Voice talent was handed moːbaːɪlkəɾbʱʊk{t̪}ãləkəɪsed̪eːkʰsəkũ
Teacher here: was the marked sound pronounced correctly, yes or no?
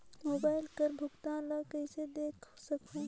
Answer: yes